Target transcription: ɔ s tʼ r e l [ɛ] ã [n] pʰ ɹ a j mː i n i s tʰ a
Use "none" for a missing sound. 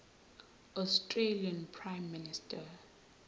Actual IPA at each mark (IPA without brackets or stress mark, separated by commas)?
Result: i, n